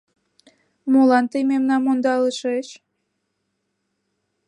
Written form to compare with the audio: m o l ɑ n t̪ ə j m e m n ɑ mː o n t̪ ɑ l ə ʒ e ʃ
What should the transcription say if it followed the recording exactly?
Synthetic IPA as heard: m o l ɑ n t̪ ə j m e m n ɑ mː o n d̪ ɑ l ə ʃ e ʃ

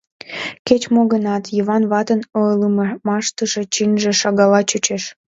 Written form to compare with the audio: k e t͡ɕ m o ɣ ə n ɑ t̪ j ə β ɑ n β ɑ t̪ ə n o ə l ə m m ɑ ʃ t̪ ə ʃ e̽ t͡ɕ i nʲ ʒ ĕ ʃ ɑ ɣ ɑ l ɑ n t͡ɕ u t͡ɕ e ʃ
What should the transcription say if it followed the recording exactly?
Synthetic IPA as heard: k e t͡ɕ m o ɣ ə n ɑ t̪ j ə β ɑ n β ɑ t̪ ə n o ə l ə m m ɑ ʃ t̪ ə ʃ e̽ t͡ɕ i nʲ ʒ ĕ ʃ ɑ ɣ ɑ l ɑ t͡ɕ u t͡ɕ e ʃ

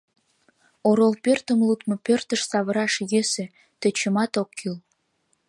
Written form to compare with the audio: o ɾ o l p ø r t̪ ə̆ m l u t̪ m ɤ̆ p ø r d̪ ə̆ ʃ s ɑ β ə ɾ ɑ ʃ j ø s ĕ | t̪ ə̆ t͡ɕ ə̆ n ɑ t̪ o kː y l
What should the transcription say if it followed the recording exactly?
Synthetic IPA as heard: o ɾ o l p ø r t̪ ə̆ m l u t̪ m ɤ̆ p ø r t̪ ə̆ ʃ s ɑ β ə ɾ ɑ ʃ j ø s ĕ | t̪ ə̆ t͡ɕ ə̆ m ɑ t̪ o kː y l

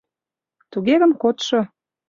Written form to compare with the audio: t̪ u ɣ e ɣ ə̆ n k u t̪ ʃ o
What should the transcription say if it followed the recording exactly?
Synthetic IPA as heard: t̪ u ɣ e ɣ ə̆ m k o t̪ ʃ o

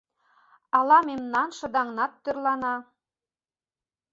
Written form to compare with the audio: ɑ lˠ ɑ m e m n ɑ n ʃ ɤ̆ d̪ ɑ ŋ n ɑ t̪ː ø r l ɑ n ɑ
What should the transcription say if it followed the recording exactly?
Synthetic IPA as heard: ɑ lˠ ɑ m e m n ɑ n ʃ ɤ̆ d̪ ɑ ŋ n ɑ t̪ː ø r l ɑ n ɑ

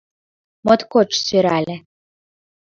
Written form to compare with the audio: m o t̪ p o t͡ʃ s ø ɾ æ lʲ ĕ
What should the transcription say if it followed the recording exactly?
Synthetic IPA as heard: m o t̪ k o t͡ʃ s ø ɾ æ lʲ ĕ

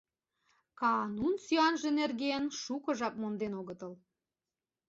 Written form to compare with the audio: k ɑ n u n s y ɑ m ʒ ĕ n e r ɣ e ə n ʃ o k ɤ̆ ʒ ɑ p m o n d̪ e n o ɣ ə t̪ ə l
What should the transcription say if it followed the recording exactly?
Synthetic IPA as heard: k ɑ n u n s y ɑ n ʒ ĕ n e r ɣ e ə n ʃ u k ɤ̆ ʒ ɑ p m o n d̪ e n o ɣ ə t̪ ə l

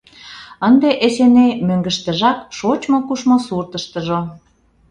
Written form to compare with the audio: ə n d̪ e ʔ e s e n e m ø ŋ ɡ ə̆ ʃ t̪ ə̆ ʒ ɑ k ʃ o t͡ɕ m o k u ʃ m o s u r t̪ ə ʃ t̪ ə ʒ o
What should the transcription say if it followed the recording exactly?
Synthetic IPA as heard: ə n d̪ e ʔ e s e n e m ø ŋ ɡ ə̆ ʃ t̪ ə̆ ʒ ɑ k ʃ o t͡ɕ m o k u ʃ m o s u r t̪ ə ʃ t̪ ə ʒ o

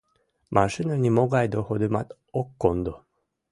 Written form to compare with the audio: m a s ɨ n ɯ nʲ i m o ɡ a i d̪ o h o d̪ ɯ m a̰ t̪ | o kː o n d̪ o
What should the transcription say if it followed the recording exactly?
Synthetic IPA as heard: m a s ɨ n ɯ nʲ i m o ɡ a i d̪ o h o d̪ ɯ m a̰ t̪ | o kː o n d̪ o

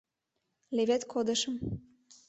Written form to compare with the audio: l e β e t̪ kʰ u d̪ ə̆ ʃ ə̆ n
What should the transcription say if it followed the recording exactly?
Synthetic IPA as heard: l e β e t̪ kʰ o d̪ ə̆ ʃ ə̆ m

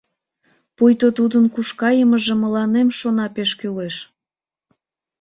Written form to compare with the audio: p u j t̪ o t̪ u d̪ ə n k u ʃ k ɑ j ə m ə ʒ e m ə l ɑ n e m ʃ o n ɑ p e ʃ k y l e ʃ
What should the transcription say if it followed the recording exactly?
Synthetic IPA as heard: p u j t̪ o t̪ u d̪ ə n k u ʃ k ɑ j ə m ə ʒ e m ə l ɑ n e m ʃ o n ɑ p e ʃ k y l e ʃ

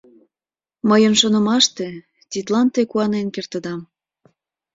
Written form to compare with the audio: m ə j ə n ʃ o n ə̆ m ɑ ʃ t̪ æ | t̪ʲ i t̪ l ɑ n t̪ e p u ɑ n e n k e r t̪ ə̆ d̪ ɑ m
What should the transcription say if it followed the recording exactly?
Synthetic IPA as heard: m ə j ə n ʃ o n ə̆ m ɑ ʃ t̪ e | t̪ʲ i t̪ l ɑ n t̪ e k u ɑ n e n k e r t̪ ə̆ d̪ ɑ m

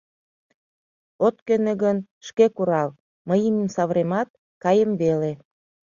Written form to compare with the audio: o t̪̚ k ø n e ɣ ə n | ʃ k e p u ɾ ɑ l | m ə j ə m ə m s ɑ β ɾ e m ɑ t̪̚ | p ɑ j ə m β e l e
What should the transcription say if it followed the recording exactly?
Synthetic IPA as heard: o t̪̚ k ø n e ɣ ə n | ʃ k e k u ɾ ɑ l | m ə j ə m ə m s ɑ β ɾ e m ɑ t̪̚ | k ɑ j ə m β e l e

